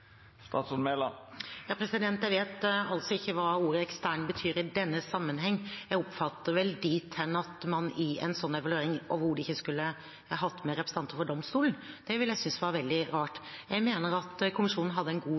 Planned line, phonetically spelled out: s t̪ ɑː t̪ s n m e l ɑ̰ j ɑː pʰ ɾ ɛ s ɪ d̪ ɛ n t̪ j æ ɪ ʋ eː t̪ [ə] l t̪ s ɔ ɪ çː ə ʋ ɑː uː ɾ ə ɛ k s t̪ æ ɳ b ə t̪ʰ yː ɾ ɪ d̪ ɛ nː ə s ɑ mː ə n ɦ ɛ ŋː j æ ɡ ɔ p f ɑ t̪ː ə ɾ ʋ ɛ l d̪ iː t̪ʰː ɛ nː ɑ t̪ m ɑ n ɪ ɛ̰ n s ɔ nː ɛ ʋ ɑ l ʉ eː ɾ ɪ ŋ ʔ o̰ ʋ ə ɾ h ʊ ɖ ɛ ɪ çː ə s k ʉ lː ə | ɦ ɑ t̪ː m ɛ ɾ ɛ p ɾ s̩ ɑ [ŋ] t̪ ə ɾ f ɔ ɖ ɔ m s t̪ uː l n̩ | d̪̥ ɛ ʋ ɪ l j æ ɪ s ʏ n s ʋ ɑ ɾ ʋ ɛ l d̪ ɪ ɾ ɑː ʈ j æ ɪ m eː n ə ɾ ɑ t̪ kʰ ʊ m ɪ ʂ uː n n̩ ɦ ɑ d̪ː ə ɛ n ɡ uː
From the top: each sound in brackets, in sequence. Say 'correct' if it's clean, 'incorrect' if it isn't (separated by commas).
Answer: incorrect, incorrect